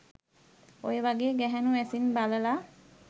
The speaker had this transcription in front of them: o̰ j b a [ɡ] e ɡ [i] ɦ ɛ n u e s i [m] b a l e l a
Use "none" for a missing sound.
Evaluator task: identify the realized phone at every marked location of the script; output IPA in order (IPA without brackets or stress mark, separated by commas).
ɡ, ɛ, n